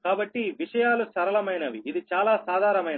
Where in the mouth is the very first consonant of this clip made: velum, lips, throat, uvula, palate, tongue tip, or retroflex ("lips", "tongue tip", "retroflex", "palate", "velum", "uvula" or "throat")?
velum